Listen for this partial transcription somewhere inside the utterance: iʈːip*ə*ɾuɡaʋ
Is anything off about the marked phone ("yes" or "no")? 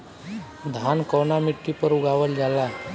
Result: no